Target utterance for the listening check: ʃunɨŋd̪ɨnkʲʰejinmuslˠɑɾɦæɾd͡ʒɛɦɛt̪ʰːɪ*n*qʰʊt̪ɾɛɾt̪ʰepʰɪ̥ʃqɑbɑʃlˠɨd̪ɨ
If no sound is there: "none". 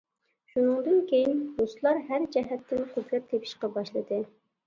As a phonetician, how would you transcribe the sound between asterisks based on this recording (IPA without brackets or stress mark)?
n